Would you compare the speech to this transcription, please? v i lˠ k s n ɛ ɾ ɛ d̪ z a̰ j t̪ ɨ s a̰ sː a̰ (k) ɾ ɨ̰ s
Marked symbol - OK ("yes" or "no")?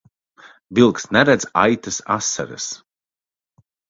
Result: no